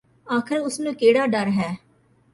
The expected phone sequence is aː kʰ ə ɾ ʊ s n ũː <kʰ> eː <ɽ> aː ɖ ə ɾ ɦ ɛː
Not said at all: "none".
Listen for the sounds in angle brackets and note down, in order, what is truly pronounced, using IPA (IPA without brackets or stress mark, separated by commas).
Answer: k, ɽ